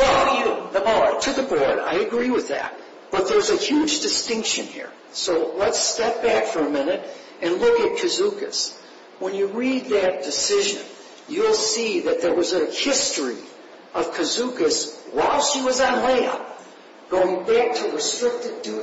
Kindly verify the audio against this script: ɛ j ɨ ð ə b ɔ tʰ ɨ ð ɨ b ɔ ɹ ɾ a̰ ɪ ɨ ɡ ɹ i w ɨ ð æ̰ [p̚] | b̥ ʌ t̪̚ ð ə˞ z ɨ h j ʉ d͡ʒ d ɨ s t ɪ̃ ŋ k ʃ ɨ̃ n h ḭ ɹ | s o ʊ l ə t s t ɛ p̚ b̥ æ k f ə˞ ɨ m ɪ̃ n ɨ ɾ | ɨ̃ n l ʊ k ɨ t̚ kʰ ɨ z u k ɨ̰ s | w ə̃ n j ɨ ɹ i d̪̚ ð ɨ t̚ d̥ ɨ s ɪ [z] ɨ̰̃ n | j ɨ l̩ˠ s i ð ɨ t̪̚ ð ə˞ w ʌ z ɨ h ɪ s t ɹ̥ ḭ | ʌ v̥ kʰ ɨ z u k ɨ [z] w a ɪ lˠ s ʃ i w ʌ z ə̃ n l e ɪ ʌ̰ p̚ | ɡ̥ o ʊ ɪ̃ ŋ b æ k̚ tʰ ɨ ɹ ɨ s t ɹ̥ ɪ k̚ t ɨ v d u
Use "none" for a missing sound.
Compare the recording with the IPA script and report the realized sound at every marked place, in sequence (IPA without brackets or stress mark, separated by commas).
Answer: t̚, ʒ, s